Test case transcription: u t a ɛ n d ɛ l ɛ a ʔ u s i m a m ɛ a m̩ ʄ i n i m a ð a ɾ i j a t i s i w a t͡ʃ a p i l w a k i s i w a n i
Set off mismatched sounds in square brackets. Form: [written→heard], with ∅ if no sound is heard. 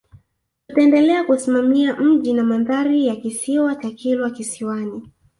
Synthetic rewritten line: u t a ɛ n d ɛ l ɛ a [ʔ→k] u s i m a m [ɛ→i] a m̩ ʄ i n [i→a] m a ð a ɾ i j a [t→k] i s i w a t͡ʃ a [p→k] i l w a k i s i w a n i